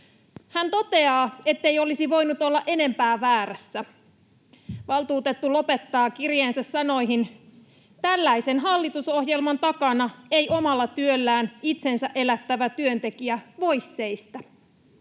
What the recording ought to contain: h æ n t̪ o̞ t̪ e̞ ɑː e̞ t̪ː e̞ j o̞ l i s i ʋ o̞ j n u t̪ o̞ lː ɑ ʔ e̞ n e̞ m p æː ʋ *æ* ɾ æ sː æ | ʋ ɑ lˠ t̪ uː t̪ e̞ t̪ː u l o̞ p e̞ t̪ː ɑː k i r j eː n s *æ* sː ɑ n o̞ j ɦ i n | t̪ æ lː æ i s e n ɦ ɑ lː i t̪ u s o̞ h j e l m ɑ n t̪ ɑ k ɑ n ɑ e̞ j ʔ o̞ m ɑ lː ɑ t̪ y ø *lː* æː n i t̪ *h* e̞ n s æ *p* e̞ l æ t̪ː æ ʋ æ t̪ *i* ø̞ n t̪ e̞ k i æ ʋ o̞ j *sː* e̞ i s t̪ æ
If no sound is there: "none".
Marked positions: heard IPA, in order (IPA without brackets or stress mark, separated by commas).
æː, æ, lː, s, ʔ, y, sː